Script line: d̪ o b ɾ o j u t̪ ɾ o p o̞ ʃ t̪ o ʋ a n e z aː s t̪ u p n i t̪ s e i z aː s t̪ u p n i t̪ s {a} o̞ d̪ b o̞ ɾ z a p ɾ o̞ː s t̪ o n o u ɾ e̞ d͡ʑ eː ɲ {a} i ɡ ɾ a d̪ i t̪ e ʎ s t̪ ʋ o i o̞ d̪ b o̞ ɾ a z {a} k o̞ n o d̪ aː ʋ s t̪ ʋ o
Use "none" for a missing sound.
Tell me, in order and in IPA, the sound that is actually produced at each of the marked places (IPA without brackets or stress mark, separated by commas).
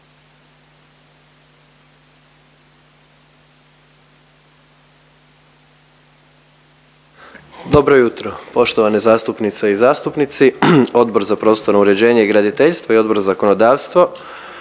i, e, a